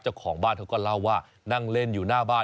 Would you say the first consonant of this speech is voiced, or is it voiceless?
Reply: voiceless